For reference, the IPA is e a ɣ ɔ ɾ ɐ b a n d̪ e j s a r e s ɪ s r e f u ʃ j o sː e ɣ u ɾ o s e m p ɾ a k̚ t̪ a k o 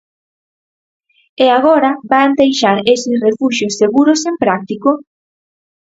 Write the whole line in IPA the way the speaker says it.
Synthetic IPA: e a ɣ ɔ ɾ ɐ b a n d̪ e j ʃ a ɾ e s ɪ s r e f u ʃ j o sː e ɣ u ɾ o s e m p ɾ a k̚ t̪ i k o